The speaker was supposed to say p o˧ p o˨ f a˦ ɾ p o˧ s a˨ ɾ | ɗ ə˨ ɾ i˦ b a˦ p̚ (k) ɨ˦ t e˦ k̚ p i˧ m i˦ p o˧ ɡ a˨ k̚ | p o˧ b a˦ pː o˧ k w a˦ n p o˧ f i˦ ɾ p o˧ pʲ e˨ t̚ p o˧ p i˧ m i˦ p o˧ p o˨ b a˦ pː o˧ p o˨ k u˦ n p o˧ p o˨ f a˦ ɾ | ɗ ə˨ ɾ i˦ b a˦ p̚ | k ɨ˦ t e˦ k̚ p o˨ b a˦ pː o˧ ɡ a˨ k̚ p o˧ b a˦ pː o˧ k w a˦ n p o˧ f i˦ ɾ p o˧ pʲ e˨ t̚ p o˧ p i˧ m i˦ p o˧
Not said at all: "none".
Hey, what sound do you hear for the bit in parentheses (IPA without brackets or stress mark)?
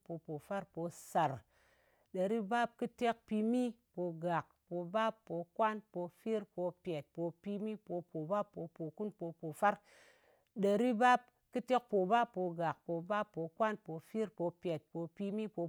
k